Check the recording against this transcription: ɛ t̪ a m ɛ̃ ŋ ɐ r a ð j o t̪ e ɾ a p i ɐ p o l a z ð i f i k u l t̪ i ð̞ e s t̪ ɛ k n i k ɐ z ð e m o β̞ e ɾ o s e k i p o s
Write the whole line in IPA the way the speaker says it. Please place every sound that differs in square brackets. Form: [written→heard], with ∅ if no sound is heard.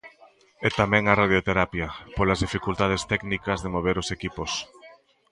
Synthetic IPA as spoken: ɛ t̪ a m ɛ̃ ŋ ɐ r a ð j o t̪ e ɾ a p [i→j] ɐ p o l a z ð i f i k u l t̪ [i→a] ð̞ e s t̪ ɛ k n i k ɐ z ð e m o β̞ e ɾ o s e k i p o s